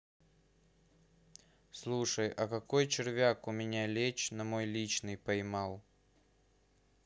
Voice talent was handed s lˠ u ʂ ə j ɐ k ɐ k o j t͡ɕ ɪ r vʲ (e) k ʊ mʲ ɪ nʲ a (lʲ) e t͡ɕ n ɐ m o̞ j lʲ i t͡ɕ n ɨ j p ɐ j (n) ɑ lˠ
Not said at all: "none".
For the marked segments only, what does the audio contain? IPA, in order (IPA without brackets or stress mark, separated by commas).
a, lʲ, m